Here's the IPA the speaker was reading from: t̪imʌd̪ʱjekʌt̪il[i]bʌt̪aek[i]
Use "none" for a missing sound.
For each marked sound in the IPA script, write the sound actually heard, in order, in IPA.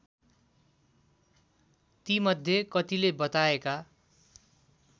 e, a

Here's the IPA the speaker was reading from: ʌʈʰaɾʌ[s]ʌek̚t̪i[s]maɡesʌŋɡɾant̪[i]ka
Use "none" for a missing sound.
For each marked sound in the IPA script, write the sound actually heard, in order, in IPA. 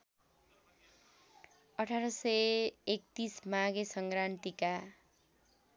s, s, i

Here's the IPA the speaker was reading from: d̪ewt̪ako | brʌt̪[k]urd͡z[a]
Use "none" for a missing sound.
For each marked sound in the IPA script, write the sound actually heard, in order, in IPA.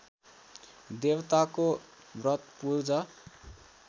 p, ʌ

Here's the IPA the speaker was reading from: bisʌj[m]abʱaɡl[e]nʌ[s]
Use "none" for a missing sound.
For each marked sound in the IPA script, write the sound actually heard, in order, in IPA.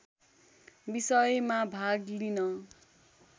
m, i, none

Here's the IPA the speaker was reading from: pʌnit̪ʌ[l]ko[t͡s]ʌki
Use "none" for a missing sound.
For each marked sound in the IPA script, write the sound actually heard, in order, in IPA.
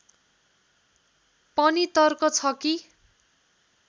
r, t͡sʰ

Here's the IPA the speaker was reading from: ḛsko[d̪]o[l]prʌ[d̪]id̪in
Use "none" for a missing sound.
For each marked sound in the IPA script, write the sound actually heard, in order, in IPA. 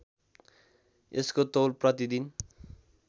t̪, l, t̪

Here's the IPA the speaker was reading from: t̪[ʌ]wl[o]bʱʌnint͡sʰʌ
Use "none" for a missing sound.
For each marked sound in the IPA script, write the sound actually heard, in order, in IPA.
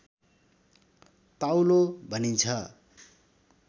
a, o

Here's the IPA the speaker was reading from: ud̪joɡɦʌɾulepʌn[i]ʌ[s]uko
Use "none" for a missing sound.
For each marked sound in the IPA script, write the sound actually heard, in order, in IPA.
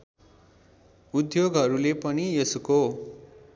i, s

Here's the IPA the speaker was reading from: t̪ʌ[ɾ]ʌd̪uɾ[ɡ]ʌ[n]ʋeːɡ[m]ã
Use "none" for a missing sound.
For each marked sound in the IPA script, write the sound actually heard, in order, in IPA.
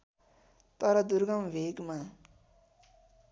ɾ, ɡ, m, m

